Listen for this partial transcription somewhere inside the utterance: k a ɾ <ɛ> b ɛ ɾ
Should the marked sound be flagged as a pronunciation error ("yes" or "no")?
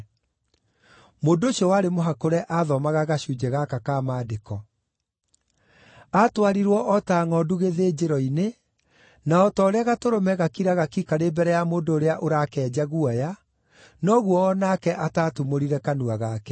yes